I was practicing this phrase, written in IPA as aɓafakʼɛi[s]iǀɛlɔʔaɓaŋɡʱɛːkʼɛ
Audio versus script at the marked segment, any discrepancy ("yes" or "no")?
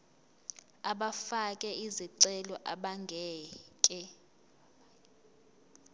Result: yes